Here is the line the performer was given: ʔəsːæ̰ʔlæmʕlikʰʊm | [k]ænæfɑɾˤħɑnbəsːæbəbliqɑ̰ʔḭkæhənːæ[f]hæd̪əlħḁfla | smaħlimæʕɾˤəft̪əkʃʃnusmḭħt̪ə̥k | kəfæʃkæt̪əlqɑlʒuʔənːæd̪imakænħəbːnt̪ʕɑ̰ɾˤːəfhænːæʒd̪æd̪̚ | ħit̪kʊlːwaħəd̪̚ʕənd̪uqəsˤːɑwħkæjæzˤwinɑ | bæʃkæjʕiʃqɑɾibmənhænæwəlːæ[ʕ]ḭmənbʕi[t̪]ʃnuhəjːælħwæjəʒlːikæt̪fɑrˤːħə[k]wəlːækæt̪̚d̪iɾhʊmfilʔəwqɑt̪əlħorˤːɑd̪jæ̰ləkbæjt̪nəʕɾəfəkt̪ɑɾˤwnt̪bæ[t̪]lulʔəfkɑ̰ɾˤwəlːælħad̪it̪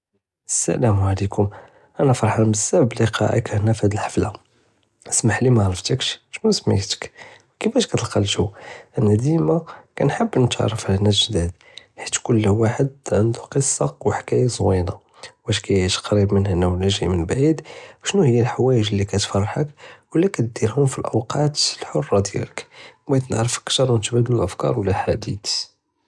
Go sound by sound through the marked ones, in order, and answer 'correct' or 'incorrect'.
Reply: incorrect: ʔ, correct, incorrect: ʒ, incorrect: d̪, correct, incorrect: d̪

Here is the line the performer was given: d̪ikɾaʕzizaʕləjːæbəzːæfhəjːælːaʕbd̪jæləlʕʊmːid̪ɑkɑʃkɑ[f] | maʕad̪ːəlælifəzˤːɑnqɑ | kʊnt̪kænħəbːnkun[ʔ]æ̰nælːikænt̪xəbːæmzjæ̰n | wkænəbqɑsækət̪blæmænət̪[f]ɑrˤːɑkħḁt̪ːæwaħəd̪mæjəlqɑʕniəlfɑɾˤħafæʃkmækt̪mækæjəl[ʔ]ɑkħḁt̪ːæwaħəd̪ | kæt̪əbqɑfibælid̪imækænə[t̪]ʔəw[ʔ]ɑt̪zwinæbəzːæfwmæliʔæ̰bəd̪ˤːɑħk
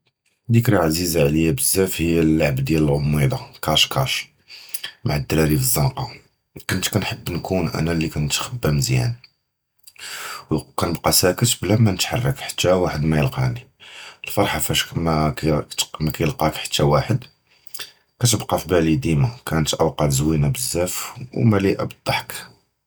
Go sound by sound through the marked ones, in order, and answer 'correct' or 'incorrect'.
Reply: incorrect: ʃ, correct, incorrect: ħ, incorrect: q, correct, incorrect: q

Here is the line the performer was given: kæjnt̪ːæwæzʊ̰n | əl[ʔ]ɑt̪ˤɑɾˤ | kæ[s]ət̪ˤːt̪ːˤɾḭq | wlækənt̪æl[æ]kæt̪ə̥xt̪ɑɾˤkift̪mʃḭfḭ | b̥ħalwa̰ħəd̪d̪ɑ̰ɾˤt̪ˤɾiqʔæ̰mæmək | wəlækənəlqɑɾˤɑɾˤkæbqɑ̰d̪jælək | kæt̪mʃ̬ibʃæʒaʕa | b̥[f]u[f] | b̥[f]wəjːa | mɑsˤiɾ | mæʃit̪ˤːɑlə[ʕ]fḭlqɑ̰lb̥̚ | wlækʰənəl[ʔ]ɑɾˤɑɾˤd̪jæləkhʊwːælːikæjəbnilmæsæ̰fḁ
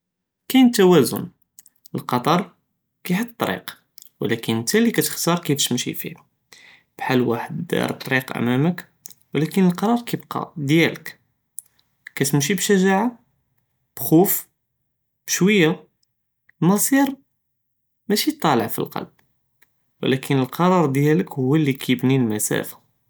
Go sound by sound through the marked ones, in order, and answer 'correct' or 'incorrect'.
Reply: incorrect: q, incorrect: ħ, incorrect: i, incorrect: x, correct, incorrect: ʃ, correct, incorrect: q

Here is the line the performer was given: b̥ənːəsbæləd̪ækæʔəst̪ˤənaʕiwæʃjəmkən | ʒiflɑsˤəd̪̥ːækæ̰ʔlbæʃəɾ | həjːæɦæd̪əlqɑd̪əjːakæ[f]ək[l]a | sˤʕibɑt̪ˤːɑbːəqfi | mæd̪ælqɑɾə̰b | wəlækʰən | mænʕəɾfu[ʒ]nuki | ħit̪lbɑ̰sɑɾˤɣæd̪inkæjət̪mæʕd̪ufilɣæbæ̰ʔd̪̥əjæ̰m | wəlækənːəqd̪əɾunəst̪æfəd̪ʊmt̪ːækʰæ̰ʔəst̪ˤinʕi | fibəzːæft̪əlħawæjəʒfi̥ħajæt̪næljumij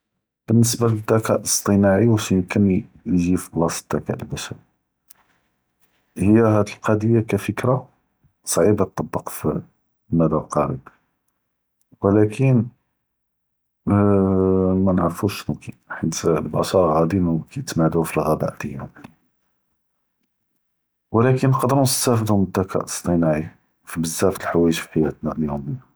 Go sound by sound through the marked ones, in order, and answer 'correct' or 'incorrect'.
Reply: correct, incorrect: ɾ, incorrect: ʃ

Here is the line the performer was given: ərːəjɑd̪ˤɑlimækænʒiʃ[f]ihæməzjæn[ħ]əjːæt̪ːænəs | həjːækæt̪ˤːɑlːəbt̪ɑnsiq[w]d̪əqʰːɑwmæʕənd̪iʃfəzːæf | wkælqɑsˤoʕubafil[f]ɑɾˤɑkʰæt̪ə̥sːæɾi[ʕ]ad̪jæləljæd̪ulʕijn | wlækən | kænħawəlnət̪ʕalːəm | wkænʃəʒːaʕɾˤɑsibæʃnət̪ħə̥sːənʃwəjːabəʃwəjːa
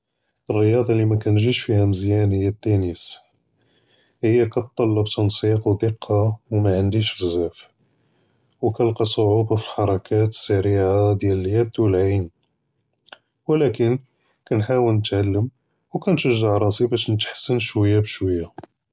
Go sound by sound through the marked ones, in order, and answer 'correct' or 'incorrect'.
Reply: correct, incorrect: h, correct, incorrect: ħ, correct

